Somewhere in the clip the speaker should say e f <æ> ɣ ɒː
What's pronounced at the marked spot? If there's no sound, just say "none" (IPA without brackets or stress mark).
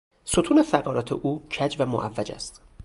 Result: æ